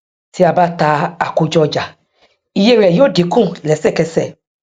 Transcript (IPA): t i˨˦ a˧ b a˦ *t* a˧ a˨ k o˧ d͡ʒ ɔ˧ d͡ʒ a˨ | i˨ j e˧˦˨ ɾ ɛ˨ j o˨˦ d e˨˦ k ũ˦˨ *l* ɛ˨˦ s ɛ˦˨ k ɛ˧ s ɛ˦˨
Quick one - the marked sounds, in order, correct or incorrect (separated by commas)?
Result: correct, correct